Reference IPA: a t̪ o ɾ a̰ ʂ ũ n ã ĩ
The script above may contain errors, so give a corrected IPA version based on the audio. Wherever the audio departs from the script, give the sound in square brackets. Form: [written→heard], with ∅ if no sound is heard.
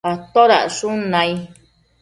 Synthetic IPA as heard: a t̪ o ɾ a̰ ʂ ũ n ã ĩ